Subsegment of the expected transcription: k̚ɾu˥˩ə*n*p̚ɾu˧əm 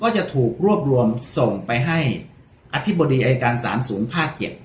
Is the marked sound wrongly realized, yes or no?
yes